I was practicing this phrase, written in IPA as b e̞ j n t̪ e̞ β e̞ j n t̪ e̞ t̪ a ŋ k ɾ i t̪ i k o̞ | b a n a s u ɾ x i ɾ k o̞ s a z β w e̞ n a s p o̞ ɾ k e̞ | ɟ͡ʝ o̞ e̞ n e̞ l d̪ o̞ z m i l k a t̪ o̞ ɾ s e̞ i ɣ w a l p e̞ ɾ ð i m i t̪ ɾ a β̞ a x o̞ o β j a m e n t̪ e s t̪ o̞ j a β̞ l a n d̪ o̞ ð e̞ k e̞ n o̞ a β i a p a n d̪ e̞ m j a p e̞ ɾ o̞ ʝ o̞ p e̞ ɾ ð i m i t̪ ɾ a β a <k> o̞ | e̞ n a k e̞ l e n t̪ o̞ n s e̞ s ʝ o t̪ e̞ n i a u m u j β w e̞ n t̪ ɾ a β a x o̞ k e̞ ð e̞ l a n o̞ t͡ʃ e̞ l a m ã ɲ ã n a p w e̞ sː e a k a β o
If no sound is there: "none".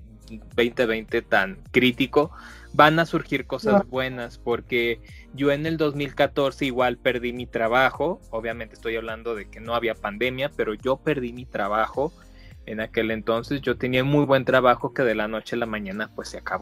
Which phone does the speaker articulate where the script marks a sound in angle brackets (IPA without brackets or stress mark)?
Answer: x